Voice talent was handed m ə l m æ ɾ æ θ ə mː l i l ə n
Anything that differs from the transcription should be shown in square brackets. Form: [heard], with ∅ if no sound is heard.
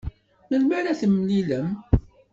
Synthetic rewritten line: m ə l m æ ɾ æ θ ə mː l i l ə [m]